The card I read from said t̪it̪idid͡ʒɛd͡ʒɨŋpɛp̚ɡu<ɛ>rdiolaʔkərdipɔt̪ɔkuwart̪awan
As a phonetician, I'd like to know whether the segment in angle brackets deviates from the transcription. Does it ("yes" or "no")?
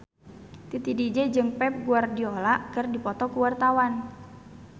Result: yes